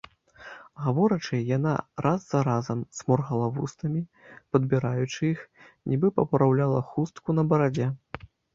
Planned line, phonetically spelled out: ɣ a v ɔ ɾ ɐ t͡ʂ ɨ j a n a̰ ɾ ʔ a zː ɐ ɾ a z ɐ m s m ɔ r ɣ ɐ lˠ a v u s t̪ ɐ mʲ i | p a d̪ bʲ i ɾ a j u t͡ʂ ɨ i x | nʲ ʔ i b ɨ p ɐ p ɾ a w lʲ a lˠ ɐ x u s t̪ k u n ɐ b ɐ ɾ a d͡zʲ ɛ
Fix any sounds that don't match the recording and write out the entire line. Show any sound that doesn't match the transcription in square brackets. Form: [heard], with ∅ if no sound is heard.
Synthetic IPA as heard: ɣ a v ɔ ɾ ɐ t͡ʂ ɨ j a n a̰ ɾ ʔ a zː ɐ ɾ a z ɐ m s m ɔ r ɣ ɐ lˠ a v u s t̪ ɐ mʲ i | p [ɐ] d̪ bʲ i ɾ a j u t͡ʂ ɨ i x | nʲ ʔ i b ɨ p ɐ p ɾ a w lʲ a lˠ ɐ x u s t̪ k u n ɐ b ɐ ɾ a d͡zʲ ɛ